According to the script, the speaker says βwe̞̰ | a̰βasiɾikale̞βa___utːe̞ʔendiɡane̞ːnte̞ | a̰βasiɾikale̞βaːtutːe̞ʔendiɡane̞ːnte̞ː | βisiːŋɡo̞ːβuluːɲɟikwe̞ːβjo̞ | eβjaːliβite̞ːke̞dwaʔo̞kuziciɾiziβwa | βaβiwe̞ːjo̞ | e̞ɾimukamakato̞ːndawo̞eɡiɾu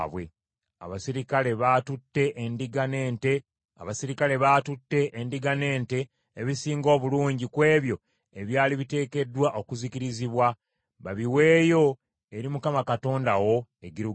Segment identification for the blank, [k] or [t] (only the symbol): t